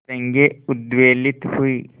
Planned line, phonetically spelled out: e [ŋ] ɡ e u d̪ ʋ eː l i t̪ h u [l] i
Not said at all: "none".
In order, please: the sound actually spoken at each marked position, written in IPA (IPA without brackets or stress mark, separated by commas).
ŋ, none